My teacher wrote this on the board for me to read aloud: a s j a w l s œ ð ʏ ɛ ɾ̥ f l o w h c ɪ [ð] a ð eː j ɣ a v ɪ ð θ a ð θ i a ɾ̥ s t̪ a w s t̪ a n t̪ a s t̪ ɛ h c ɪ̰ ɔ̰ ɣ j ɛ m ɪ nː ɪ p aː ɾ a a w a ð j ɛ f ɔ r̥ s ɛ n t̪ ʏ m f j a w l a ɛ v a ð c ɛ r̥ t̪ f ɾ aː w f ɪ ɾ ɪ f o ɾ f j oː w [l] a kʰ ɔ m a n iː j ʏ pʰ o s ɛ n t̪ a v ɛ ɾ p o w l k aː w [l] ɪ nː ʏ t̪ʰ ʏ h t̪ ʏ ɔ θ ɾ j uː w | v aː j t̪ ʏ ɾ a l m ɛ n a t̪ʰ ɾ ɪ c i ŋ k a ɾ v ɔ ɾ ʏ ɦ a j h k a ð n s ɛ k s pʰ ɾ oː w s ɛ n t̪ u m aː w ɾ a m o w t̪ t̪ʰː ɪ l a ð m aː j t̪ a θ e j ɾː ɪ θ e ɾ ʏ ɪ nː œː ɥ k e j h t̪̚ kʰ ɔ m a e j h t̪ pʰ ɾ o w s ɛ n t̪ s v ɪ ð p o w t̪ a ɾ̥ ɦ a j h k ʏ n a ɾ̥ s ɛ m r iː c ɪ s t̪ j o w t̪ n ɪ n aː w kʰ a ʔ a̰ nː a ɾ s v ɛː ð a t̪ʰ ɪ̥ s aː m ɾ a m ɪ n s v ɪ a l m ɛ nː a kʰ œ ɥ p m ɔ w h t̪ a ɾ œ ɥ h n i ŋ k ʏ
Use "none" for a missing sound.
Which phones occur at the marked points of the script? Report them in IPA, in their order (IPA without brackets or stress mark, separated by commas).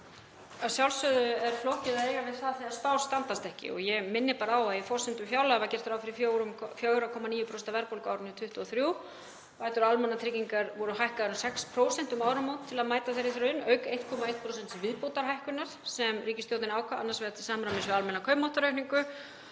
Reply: ð, ɾ, ɾ